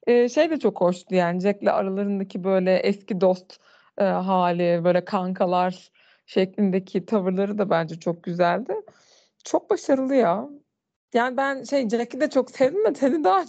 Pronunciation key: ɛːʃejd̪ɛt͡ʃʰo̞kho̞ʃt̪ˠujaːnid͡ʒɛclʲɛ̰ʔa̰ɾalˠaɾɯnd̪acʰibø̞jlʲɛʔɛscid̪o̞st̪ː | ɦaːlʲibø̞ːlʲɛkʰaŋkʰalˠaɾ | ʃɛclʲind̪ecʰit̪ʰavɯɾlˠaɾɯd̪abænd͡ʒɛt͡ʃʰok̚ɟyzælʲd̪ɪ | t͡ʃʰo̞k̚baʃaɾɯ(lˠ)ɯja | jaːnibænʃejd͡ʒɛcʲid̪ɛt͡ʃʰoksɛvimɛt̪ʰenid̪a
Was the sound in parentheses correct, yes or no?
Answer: yes